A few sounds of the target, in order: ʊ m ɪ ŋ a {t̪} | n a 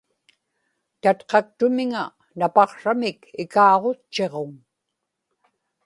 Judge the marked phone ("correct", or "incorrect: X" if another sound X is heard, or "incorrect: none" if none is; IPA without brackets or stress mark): incorrect: none